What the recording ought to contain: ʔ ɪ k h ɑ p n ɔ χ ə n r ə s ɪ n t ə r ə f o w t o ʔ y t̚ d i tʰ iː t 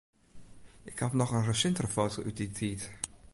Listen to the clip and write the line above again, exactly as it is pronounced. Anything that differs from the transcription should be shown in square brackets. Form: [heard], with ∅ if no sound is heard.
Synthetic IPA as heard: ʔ ɪ k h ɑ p n ɔ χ ə n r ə s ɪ n t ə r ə f o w t o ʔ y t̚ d i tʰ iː t